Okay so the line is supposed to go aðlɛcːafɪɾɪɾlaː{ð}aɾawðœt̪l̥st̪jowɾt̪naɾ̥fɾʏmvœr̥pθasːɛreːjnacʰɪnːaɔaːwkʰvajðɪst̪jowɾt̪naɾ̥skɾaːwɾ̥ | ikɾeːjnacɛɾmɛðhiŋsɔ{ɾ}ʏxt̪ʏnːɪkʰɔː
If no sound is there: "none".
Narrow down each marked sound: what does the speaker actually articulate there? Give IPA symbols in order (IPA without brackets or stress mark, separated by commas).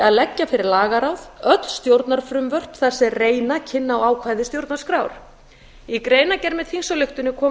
ɣ, l